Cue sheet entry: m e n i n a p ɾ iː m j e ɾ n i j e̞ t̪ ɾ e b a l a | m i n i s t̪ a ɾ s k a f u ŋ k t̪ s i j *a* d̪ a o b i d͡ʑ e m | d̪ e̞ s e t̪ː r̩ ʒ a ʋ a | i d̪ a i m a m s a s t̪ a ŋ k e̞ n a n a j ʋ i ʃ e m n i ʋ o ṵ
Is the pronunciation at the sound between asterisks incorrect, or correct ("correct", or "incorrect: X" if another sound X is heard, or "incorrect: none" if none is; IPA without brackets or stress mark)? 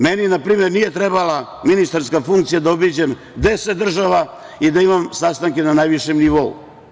correct